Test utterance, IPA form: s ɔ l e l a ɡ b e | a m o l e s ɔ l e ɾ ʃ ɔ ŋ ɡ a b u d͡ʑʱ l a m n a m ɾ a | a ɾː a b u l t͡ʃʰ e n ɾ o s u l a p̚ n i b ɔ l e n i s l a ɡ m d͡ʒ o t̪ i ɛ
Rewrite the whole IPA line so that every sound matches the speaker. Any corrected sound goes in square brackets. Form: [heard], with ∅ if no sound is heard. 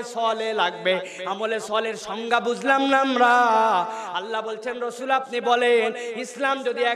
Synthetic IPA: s ɔ l e l a ɡ b e | a m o l e s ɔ l e ɾ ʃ ɔ ŋ ɡ a b u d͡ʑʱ l a m n a m ɾ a | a [lː] a b [o] l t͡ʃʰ e n ɾ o s u l a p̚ n i b ɔ l e n i s l a [∅] m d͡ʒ o [d̪] i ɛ